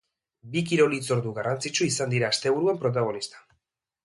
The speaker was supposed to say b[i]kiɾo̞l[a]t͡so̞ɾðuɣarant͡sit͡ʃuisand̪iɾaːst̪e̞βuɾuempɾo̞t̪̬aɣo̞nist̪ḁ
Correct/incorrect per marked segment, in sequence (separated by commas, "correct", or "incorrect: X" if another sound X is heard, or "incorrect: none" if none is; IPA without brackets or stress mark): correct, incorrect: i